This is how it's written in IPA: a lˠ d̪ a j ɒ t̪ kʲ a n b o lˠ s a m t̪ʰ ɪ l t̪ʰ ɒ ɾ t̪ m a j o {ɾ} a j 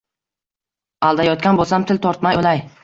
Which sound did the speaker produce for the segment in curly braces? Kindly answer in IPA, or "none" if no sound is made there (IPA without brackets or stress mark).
l